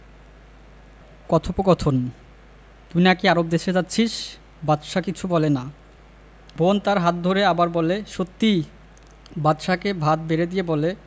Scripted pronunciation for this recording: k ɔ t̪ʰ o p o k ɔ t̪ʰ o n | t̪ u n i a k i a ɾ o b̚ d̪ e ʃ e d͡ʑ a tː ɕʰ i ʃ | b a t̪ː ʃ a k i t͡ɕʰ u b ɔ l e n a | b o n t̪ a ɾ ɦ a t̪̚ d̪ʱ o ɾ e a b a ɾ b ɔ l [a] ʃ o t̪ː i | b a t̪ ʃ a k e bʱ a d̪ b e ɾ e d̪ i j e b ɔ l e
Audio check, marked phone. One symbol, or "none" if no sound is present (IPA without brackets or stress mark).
e